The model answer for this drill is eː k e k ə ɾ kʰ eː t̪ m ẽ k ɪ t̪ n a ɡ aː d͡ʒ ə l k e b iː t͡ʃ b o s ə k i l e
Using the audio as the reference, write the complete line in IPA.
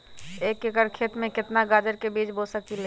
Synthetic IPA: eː k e k ə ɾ kʰ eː t̪ m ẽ k ɪ t̪ n a ɡ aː d͡ʒ ə ɾ k e b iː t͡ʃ b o s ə k i l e